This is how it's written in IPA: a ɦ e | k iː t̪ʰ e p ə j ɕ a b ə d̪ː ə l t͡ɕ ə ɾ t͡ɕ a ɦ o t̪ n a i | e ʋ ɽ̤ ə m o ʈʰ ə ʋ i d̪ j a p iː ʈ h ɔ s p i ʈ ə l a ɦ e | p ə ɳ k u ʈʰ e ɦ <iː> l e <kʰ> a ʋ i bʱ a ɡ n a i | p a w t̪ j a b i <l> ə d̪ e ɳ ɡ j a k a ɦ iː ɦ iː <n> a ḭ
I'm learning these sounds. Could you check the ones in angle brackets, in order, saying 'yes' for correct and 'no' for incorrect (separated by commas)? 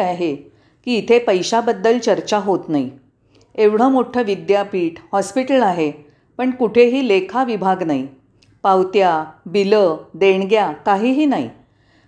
yes, yes, yes, yes